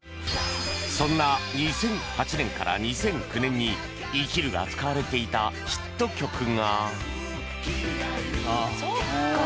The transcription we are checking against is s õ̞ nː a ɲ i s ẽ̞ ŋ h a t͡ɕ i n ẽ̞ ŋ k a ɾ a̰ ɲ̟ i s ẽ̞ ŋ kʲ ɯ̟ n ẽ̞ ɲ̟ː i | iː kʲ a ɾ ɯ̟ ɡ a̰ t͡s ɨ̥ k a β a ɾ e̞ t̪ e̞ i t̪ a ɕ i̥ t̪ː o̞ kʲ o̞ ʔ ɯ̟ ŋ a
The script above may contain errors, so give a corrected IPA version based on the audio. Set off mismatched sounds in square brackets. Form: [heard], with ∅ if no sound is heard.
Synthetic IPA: s õ̞ nː a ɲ i s ẽ̞ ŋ h a t͡ɕ i n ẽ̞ ŋ k a ɾ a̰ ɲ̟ i s ẽ̞ ŋ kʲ ɯ̟ n ẽ̞ ɲ̟ː i | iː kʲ [i] ɾ ɯ̟ ɡ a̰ t͡s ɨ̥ k a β a ɾ e̞ t̪ e̞ i t̪ a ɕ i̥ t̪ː o̞ kʲ o̞ [k] ɯ̟ ŋ a